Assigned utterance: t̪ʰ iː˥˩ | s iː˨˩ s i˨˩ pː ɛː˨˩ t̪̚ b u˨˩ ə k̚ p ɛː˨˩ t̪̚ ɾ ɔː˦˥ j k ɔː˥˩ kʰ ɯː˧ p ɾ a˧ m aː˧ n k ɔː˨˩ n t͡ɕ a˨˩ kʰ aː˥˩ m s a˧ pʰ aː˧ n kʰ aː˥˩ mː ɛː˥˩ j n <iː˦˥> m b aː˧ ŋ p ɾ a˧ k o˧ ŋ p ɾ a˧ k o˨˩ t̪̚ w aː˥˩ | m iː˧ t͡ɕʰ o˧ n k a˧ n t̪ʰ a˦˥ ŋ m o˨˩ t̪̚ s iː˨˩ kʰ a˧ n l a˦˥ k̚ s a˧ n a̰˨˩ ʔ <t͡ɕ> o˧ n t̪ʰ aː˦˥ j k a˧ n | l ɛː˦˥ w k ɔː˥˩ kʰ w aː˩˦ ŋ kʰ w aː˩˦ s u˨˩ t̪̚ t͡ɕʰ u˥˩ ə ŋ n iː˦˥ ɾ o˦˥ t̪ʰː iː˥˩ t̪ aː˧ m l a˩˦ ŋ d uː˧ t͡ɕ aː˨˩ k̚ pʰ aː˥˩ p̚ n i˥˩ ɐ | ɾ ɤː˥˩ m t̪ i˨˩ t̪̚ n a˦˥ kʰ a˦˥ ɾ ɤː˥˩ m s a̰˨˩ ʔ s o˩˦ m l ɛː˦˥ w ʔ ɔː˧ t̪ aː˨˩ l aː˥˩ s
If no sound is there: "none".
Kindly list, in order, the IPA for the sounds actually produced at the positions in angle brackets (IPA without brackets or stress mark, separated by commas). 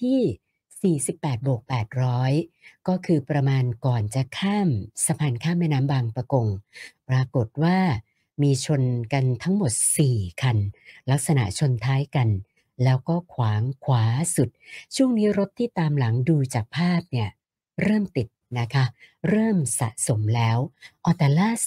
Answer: aː˦˥, t͡ɕʰ